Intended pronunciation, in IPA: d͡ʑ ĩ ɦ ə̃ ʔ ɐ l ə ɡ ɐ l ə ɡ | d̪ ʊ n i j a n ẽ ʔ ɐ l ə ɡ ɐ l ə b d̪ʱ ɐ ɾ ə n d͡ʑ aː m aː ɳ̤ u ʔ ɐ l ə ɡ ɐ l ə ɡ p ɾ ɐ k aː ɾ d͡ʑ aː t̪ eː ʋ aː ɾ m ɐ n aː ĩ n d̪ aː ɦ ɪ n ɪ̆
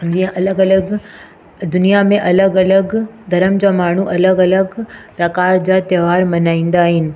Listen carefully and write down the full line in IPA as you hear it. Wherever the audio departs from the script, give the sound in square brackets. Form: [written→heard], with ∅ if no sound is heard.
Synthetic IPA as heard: d͡ʑ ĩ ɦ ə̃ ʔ ɐ l ə ɡ ɐ l ə ɡ | d̪ ʊ n i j a [n→m] ẽ ʔ ɐ l ə ɡ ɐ l ə [b→ɡ] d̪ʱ ɐ ɾ ə [n→m] d͡ʑ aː m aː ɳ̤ u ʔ ɐ l ə ɡ ɐ l ə ɡ p ɾ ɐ k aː ɾ d͡ʑ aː t̪ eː ʋ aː ɾ m ɐ n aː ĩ n d̪ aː ɦ ɪ n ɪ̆